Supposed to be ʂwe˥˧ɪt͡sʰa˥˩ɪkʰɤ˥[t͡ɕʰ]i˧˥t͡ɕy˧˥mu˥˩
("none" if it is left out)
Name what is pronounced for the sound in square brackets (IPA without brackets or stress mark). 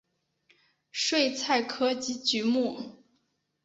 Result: t͡ɕ